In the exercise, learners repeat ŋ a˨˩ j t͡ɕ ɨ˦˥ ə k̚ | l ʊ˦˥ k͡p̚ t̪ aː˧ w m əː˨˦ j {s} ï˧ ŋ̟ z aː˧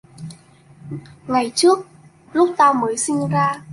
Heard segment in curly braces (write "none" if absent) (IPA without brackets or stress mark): s